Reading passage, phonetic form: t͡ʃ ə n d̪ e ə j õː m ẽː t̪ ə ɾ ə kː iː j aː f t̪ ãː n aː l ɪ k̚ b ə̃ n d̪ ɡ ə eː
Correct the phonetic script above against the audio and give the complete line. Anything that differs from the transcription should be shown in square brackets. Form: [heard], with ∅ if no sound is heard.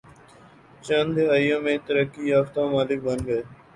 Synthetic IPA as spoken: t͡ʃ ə n d̪ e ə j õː m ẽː t̪ ə ɾ ə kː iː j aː f t̪ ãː [m] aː l ɪ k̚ b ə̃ n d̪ ɡ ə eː